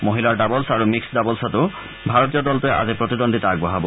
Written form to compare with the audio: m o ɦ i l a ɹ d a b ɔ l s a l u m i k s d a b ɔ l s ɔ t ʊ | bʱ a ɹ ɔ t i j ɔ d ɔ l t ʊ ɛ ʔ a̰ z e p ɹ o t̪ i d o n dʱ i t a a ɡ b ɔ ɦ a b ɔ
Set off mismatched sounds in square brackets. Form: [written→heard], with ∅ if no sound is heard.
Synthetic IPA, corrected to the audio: m o ɦ i l a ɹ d a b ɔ l s a [l→ɹ] u m i k s d a b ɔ l s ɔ t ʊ | bʱ a ɹ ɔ t i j ɔ d ɔ l t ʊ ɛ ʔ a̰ z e p ɹ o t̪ i d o n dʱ i t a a ɡ b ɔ ɦ a b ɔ